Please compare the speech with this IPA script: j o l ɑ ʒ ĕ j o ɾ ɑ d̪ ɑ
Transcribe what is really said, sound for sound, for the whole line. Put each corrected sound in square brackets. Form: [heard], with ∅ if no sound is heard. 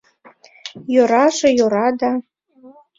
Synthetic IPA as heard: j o [ɾ] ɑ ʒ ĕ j o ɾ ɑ d̪ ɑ